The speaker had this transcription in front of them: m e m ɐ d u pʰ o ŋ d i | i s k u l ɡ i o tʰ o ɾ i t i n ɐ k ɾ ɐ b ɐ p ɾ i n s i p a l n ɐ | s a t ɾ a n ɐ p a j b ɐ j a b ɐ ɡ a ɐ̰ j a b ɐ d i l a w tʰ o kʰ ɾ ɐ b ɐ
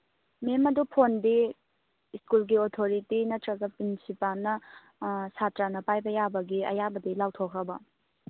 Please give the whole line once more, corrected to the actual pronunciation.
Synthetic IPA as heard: m e m ɐ d u pʰ o n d i | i s k u l ɡ i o tʰ o ɾ i t i n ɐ t ɾ ɐ ɡ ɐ p ɾ i n s i p a l n ɐ | s a t ɾ a n ɐ p a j b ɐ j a b ɐ ɡ i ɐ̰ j a b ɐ d i l a w tʰ o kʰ ɾ ɐ b ɐ